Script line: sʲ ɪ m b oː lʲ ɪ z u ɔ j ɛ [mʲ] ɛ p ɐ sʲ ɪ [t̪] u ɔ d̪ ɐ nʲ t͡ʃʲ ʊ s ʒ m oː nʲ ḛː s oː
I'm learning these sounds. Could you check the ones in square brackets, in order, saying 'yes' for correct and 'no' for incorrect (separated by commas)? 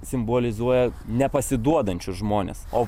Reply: no, no